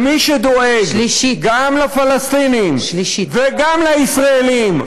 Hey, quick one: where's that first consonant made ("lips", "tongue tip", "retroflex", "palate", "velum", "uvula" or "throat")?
lips